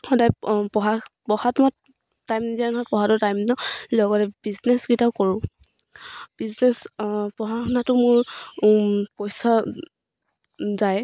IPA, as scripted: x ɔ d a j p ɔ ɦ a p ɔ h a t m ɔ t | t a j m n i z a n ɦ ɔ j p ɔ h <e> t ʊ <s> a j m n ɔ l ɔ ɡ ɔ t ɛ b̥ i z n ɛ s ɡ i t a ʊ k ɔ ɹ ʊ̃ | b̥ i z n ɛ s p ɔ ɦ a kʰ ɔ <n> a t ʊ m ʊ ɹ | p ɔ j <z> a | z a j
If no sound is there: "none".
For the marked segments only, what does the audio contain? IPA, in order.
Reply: a, t, n, s

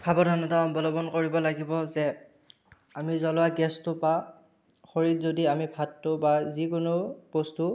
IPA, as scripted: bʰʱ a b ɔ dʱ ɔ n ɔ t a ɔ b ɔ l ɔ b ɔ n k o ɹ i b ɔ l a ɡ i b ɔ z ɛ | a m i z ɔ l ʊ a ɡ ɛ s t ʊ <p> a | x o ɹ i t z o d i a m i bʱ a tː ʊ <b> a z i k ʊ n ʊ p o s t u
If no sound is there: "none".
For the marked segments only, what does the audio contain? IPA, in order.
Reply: p, b

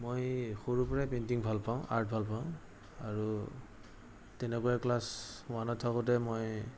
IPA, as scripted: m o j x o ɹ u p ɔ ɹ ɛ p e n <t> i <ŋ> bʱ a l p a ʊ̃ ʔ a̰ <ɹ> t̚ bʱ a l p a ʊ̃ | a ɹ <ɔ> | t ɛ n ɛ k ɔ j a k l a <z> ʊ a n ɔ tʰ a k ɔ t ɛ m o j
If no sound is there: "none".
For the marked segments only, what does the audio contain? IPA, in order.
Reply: t, ŋ, ɹ, u, s

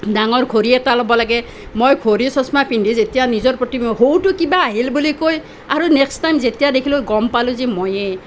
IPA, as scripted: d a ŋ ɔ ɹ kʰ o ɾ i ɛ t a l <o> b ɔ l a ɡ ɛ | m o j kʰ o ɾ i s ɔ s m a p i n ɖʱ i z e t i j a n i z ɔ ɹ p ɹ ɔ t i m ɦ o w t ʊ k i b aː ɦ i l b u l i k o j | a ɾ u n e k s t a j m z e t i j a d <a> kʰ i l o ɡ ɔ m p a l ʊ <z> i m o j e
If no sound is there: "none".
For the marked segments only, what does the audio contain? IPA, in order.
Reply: ɔ, e, z

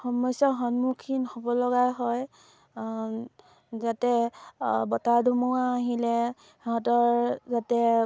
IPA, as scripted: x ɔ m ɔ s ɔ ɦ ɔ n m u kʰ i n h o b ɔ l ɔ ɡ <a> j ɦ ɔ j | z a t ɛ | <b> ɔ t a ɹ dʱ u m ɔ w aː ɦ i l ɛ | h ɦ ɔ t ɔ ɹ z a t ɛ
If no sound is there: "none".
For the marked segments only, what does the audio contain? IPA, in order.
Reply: a, b

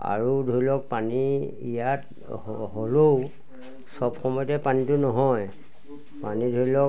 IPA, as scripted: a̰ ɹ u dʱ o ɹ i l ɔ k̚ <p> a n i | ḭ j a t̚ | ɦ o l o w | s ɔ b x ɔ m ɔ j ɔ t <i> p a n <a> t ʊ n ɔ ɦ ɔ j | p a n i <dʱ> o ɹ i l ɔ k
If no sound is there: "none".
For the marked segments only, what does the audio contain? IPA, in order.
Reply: p, ɛ, i, dʱ

